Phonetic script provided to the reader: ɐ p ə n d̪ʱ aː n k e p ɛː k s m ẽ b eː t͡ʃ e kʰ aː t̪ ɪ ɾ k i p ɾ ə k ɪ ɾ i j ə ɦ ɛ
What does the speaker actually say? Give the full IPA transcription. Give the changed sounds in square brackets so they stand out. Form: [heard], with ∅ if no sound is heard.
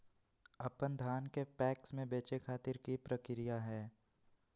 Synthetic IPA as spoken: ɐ p ə n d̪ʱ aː n k e p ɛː k s m ẽ b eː t͡ʃ e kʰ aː t̪ ɪ ɾ k i p ɾ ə k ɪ ɾ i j [a] ɦ [ɛː]